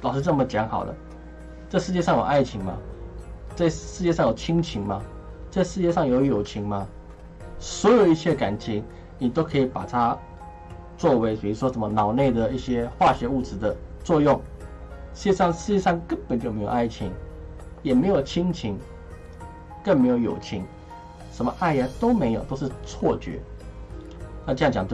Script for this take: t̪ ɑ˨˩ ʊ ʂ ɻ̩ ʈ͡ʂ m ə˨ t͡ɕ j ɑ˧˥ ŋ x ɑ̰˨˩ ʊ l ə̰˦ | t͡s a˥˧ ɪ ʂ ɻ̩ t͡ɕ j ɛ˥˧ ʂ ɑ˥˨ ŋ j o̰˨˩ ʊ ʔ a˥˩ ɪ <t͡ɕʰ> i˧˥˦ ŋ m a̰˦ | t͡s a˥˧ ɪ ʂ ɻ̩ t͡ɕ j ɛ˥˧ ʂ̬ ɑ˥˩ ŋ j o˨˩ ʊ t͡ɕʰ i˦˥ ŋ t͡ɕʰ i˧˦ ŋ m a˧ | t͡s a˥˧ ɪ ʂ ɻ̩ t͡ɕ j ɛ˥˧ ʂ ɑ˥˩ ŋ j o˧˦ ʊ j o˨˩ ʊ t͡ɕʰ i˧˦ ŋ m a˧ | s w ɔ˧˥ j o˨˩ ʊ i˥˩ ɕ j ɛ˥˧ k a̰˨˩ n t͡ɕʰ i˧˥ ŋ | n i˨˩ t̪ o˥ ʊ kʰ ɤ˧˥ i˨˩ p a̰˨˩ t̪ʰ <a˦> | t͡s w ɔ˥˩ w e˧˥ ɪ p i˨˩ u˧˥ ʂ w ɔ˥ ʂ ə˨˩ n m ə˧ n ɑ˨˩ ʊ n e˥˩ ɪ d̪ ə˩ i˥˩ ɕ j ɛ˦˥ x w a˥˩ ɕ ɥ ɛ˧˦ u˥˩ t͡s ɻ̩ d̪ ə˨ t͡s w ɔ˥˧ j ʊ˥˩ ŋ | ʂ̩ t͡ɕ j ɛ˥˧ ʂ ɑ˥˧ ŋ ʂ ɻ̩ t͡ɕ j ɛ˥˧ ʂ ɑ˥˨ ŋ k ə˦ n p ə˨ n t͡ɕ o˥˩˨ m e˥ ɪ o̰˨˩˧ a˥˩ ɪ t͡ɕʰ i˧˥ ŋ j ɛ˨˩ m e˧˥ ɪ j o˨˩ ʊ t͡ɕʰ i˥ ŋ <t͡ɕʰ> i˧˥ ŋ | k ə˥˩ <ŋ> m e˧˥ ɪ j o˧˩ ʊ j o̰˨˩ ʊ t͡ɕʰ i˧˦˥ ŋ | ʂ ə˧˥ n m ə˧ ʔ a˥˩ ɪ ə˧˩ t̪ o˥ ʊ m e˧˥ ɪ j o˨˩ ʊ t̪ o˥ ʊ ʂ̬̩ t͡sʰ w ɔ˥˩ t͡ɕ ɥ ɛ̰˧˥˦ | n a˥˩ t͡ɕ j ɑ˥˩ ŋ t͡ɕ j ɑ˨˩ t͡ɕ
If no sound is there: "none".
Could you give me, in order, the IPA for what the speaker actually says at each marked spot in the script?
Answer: t͡ɕʰ, a˦, t͡ɕʰ, n

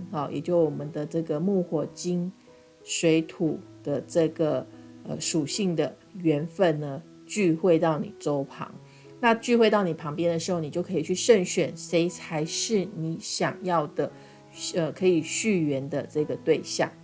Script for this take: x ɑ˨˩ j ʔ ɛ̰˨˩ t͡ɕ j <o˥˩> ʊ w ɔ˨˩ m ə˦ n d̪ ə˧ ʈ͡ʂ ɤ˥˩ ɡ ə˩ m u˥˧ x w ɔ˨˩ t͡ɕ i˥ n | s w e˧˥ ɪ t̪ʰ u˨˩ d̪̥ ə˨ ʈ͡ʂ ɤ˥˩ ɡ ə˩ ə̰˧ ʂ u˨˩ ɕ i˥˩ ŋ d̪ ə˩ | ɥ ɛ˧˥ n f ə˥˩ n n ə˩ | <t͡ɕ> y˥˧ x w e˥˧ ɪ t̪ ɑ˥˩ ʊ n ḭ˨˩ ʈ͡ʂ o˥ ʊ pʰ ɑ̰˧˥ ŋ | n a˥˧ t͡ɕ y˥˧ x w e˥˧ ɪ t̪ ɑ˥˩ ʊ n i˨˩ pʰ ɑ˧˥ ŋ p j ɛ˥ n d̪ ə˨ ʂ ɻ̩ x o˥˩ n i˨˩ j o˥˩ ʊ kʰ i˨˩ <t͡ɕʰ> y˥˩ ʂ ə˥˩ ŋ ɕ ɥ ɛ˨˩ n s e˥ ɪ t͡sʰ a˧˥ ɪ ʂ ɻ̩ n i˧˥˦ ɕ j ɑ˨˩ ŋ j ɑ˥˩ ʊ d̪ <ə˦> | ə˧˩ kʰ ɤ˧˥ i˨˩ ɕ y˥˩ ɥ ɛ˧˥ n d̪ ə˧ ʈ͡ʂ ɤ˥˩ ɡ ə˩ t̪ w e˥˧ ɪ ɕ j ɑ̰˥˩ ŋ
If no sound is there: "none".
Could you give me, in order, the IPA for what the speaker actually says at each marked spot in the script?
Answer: o˥˩, t͡ɕ, t͡ɕʰ, ə˩

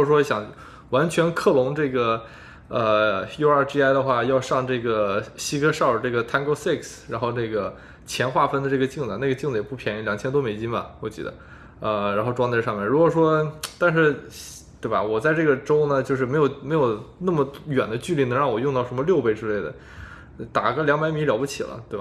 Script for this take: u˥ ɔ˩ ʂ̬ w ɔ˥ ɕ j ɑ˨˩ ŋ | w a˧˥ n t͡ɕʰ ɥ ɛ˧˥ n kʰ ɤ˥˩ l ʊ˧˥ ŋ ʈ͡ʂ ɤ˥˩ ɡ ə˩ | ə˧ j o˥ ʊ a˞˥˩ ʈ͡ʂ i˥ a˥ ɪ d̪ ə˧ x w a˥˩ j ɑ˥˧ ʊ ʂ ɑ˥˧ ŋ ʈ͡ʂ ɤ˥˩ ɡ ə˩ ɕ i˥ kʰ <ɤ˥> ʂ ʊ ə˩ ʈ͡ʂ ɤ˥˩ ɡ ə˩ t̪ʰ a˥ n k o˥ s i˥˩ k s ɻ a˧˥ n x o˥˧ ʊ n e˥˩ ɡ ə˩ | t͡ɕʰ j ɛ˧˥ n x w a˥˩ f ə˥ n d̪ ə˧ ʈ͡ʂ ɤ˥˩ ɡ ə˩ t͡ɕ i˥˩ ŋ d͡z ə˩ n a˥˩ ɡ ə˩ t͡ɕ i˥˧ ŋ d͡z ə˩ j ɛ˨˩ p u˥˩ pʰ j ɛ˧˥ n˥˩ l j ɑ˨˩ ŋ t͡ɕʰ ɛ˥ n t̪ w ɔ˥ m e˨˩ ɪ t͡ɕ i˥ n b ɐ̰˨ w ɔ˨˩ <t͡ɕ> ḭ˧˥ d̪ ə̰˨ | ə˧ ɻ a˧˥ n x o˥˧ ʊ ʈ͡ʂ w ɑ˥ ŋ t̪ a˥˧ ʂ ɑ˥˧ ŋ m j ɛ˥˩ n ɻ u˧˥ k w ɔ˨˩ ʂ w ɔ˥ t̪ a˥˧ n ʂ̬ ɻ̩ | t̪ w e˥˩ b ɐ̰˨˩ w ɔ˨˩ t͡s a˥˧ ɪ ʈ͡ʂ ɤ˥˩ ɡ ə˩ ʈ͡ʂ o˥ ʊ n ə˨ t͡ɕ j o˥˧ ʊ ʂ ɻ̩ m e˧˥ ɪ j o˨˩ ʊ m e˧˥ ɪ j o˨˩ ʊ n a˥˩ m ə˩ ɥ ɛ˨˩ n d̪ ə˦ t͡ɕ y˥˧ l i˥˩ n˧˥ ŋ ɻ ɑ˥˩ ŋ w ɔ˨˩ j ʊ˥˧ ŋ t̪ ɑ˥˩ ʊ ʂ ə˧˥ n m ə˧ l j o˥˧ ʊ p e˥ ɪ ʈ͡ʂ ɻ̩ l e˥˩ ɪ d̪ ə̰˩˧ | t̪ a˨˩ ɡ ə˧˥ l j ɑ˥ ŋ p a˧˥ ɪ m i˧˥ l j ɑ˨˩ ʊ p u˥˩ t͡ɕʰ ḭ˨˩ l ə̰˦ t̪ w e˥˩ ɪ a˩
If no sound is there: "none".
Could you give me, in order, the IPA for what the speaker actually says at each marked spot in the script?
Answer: ɤ˥, t͡ɕ

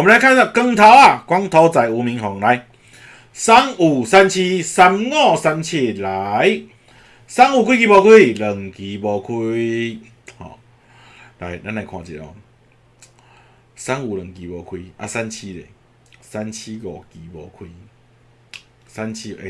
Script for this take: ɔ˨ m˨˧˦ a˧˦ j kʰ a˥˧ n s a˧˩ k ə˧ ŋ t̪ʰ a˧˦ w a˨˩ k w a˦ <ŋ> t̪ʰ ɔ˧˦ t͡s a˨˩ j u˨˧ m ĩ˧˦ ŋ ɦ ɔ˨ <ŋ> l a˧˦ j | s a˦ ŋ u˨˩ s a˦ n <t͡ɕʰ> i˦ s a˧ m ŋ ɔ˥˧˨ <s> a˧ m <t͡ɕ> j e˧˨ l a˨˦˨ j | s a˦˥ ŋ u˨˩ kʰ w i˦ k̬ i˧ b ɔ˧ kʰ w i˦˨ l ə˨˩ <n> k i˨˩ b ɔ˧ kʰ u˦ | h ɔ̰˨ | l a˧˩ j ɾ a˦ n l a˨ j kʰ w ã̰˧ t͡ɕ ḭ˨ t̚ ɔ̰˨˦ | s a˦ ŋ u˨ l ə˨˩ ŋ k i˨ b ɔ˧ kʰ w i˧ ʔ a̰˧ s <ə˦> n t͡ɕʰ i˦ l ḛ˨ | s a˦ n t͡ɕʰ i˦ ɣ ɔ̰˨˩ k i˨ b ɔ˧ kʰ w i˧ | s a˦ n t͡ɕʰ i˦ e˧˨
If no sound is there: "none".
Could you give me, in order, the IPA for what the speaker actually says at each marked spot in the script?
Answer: ŋ, ŋ, t͡ɕʰ, s, t͡ɕʰ, ŋ, a˦

